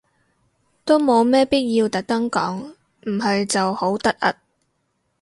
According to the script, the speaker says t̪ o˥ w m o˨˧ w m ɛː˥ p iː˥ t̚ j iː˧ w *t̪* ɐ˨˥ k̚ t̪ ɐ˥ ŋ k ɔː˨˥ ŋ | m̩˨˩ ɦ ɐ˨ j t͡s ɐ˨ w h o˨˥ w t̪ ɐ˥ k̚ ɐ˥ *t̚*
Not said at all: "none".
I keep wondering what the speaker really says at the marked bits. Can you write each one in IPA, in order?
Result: t̪, t̚

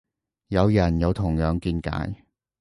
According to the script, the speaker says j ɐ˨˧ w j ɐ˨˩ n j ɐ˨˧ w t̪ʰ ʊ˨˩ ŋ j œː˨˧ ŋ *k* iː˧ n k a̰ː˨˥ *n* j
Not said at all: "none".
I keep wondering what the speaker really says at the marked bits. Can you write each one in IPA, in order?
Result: k, none

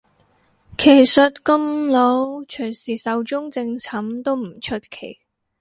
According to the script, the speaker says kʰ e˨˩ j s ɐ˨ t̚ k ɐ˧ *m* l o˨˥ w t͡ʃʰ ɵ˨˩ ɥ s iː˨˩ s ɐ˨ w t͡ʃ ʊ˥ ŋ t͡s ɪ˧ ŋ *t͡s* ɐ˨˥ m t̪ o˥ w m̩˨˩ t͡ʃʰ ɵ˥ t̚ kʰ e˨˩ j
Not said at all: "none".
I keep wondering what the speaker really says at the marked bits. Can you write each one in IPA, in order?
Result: m, t͡sʰ

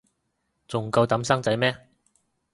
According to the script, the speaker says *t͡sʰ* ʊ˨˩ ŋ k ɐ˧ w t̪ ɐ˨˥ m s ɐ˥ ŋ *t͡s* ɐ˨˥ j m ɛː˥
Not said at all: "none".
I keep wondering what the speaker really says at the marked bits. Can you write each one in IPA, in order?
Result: t͡s, t͡s

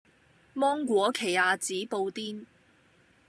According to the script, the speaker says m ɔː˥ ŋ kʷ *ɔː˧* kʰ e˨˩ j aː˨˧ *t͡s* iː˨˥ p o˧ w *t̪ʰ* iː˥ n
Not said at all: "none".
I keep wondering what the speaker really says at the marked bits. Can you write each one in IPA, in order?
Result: ɔː˨˥, t͡s, t̪

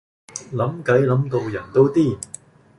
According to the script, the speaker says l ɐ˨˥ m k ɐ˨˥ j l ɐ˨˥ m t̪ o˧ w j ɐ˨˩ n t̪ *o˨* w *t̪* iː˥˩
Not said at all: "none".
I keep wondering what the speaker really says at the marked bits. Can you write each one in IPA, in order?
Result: o˥, t̪

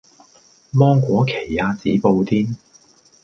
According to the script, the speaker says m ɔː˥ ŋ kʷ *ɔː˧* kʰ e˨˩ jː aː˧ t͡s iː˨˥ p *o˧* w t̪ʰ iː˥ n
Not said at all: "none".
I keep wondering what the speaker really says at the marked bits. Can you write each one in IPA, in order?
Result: ɔː˨˥, o˧

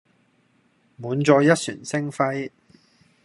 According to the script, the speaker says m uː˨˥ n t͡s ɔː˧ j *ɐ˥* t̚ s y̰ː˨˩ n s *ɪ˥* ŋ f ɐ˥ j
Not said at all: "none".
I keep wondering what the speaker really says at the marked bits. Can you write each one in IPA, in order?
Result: ɐ˥, ɪ˥

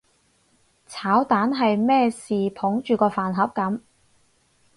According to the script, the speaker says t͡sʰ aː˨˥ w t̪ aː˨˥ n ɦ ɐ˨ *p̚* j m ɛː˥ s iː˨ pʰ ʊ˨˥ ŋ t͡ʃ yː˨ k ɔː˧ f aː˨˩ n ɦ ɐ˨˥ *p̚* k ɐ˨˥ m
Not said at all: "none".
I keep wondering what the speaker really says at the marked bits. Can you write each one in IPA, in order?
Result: none, p̚

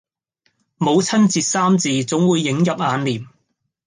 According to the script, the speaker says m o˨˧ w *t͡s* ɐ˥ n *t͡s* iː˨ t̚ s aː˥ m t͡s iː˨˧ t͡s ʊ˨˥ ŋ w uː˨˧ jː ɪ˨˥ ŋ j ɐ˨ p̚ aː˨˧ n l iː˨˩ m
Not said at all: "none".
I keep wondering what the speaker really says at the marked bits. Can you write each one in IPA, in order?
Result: t͡sʰ, t͡s

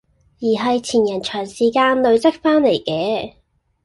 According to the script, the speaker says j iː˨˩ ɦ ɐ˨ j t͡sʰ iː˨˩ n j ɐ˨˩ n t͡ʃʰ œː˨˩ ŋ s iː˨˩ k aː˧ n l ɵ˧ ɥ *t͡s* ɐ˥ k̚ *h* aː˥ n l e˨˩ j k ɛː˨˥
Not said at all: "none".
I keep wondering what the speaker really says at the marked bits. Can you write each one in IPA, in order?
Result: t͡s, f

